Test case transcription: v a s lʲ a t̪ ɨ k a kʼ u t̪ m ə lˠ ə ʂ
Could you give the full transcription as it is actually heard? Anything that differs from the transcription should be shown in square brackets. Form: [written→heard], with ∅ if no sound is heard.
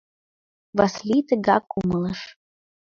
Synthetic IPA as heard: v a s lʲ [a→i] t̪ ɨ [k→ɡ] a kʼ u [t̪→∅] m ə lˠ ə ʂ